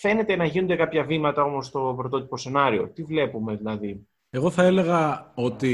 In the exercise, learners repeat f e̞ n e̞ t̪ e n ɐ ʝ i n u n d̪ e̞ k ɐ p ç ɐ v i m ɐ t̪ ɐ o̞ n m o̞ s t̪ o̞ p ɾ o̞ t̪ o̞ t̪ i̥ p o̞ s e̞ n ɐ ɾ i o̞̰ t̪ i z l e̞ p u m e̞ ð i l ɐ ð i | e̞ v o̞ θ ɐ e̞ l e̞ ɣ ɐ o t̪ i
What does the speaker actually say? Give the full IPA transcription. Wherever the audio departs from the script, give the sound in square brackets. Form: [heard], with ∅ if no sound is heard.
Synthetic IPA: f e̞ n e̞ t̪ e n ɐ ʝ i n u n d̪ e̞ k ɐ p ç ɐ v i m ɐ t̪ ɐ o̞ [∅] m o̞ s t̪ o̞ p ɾ o̞ t̪ o̞ t̪ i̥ p o̞ s e̞ n ɐ ɾ i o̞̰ t̪ i [v] l e̞ p u m e̞ ð i l ɐ ð i | e̞ [ɣ] o̞ θ ɐ e̞ l e̞ ɣ ɐ o t̪ i